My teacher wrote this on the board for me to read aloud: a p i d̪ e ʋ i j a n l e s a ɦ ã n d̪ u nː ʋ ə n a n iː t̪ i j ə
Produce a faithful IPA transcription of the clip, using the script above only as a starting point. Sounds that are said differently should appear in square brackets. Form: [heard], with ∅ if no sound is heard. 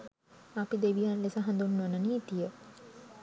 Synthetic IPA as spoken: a p i d̪ e ʋ i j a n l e s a ɦ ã n d̪ u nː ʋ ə n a n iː t̪ i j ə